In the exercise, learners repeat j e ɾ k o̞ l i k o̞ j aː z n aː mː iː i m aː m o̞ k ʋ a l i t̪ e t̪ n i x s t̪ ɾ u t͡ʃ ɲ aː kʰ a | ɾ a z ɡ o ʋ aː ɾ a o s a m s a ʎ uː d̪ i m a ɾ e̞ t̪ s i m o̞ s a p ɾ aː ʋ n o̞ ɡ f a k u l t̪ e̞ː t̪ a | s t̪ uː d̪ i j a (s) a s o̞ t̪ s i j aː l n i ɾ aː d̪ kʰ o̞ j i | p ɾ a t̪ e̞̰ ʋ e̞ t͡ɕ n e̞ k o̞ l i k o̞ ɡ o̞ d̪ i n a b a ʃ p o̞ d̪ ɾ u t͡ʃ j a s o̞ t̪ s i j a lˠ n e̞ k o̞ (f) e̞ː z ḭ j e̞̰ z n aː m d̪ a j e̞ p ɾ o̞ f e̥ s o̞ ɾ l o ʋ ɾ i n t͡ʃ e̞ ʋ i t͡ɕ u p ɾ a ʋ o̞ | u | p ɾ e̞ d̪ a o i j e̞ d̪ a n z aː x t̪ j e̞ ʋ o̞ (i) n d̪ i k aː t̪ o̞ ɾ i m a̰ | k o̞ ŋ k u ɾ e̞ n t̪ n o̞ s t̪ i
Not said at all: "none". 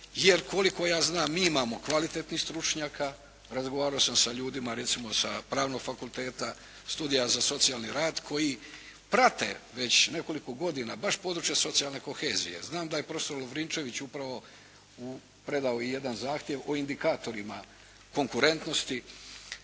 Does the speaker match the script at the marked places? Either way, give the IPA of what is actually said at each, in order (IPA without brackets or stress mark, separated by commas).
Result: z, x, i